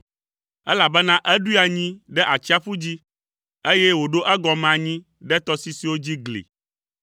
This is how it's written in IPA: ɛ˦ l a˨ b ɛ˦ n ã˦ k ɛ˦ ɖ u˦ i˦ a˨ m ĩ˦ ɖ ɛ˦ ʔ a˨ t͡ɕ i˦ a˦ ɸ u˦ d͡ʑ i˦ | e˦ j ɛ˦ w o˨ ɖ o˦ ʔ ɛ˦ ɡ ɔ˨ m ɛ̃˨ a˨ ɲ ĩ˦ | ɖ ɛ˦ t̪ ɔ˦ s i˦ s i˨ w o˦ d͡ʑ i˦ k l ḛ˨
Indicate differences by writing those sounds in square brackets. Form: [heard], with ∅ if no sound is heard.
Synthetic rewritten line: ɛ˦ l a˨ b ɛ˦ n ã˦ [ʔ] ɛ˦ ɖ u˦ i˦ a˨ [ɲ] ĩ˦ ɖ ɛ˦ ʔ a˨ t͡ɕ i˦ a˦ ɸ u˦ d͡ʑ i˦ | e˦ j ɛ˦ w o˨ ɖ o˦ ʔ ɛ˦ ɡ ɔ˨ m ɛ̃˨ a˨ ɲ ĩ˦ | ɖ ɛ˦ t̪ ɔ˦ s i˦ s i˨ w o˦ d͡ʑ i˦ [ɡ] l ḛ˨